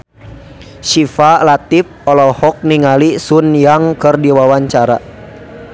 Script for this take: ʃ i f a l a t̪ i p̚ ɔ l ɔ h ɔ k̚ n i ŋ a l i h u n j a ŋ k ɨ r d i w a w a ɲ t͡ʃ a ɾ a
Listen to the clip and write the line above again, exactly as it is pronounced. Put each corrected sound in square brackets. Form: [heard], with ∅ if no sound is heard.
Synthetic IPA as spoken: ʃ i f a l a t̪ i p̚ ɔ l ɔ h ɔ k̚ n i ŋ a l i [s] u n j a ŋ k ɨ r d i w a w a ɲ t͡ʃ a ɾ a